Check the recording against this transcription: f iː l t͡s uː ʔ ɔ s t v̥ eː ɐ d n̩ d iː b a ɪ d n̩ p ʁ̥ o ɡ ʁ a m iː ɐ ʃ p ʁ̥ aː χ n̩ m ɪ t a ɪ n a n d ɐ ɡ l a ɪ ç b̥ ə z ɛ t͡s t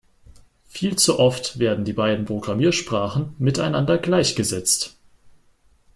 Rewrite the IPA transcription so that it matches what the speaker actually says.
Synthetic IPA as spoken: f iː l t͡s u ʔ ɔ f t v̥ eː ɐ d n̩ d iː b a ɪ d n̩ p ʁ̥ o ɡ ʁ a m iː ɐ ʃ p ʁ̥ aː χ n̩ m ɪ t a ɪ n a n d ɐ ɡ l a ɪ ç ɡ̥ ə z ɛ t͡s t